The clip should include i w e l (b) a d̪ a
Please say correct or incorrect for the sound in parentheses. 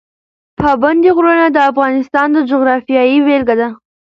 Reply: incorrect